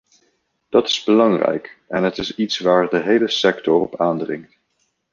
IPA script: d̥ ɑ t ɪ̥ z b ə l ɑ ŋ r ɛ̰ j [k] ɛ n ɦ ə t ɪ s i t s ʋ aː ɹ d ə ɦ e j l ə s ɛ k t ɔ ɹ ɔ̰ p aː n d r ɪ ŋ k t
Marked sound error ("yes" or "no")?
no